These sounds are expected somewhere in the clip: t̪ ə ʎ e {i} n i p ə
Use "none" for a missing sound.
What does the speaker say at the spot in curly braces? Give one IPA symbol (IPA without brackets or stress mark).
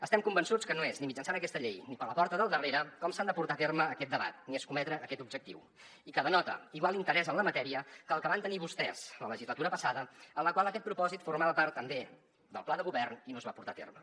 j